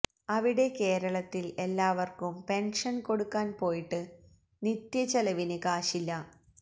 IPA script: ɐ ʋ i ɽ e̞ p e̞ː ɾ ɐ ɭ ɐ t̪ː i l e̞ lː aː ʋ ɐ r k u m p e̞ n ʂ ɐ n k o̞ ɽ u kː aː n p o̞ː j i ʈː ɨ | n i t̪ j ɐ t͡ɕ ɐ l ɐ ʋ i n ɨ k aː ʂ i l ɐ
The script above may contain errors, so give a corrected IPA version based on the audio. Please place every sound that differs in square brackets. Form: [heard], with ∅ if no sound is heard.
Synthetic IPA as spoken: ɐ ʋ i ɽ e̞ [k] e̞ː ɾ ɐ ɭ ɐ t̪ː i l e̞ lː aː ʋ ɐ r k u m p e̞ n ʂ ɐ n k o̞ ɽ u kː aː n p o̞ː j i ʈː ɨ | n i t̪ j ɐ t͡ɕ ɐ l ɐ ʋ i n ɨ k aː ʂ i [lː] ɐ